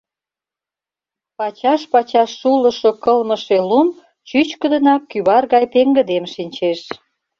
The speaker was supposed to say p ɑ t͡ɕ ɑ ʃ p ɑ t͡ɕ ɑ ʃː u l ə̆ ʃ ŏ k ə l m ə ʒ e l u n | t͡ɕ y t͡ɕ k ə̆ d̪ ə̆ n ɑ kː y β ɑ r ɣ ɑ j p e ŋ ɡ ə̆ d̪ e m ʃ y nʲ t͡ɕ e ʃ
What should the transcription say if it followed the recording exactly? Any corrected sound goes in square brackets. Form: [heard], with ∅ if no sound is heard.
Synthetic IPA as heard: p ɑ t͡ɕ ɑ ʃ p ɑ t͡ɕ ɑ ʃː u l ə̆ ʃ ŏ k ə l m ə [ʃ] e l u [m] | t͡ɕ y t͡ɕ k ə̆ d̪ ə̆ n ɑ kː y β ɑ r ɣ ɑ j p e ŋ ɡ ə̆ d̪ e m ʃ [i] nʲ t͡ɕ e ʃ